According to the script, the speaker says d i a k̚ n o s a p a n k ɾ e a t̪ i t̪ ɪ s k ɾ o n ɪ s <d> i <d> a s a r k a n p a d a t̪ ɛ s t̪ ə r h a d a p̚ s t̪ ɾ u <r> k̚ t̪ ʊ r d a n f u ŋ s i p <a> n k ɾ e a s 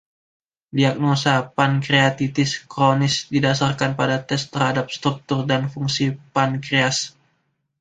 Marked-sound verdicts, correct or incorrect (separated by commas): correct, correct, incorrect, correct